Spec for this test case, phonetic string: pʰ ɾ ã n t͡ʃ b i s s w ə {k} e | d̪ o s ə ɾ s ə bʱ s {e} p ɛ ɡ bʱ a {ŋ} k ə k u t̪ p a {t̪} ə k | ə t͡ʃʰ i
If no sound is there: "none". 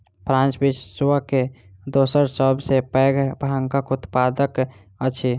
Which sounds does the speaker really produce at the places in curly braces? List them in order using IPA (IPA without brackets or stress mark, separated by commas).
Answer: k, e, ŋ, d̪